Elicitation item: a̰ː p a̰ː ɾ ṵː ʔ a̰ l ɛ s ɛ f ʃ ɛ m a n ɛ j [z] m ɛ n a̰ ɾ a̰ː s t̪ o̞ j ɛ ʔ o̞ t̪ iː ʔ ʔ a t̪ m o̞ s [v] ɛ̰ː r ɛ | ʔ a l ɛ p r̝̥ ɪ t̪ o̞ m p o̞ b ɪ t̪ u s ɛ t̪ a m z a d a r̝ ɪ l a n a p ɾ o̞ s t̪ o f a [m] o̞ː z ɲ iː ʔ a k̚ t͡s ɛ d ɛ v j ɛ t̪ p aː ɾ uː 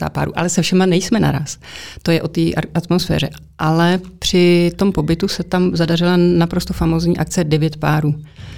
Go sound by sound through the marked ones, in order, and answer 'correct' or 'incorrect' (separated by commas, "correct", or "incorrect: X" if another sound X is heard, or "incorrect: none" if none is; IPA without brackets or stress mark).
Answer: incorrect: s, incorrect: f, correct